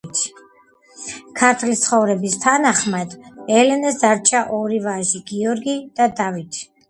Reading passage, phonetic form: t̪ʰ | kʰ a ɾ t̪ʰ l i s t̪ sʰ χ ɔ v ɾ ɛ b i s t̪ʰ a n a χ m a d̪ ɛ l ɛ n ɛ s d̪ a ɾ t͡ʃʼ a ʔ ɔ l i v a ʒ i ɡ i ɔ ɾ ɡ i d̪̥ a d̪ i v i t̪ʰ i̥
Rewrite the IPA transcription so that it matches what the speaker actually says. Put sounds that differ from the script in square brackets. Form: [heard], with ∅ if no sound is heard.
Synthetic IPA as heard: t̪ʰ | kʰ a ɾ t̪ʰ l i s t̪ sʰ χ ɔ v ɾ ɛ b i s t̪ʰ a n a χ m a d̪ ɛ l ɛ n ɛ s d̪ a ɾ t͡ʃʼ a ʔ ɔ [ɾ] i v a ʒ i ɡ i ɔ ɾ ɡ i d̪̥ a d̪ [a] v i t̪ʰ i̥